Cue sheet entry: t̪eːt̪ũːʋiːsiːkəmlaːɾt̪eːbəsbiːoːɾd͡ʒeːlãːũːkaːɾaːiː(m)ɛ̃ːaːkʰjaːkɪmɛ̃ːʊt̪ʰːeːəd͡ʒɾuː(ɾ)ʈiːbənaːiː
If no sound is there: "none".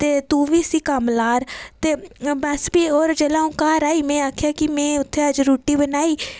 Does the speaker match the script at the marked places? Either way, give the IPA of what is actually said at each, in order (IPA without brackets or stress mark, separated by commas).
m, none